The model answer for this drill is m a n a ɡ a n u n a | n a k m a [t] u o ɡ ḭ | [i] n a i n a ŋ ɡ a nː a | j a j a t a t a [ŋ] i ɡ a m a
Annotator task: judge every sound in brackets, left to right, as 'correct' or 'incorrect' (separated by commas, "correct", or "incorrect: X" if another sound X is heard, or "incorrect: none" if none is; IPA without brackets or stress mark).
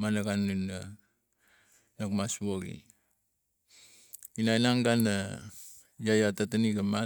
incorrect: s, correct, incorrect: n